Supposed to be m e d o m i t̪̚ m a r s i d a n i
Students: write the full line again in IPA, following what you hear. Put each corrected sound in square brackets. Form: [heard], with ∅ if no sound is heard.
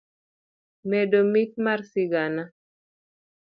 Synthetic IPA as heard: m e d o m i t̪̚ m a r s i [ɡ] a n [a]